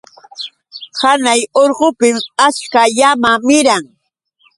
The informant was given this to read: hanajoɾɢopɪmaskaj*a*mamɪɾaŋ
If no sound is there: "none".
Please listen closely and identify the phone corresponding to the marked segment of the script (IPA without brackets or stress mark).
a